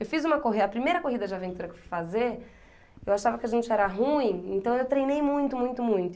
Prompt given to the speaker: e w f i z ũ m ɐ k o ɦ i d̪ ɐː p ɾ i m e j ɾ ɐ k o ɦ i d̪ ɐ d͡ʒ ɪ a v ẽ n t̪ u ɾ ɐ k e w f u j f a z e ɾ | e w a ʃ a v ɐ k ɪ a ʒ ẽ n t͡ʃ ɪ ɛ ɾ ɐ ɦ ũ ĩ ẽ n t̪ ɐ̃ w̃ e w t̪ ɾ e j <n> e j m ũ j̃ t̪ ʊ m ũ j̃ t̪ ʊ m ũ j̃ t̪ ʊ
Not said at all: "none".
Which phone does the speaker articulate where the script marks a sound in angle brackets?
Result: n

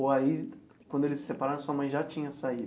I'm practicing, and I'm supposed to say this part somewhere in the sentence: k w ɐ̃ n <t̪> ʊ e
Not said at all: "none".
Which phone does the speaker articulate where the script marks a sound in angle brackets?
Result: d̪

